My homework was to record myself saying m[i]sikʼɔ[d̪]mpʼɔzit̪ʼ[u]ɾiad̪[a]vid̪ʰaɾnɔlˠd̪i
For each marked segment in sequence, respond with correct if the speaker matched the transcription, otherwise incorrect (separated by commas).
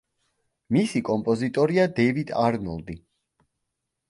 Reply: correct, incorrect, incorrect, incorrect